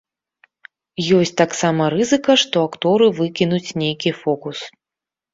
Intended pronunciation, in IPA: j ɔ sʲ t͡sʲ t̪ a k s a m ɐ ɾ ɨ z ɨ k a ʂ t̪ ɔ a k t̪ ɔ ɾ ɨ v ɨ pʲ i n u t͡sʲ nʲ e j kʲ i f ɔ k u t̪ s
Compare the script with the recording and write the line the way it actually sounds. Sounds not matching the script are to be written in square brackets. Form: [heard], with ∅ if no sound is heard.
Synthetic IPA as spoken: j ɔ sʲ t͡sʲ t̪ a k s a m ɐ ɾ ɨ z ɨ k [ɐ] ʂ t̪ ɔ a k t̪ ɔ ɾ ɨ v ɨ [kʲ] i n u t͡sʲ nʲ e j kʲ i f ɔ k u [∅] s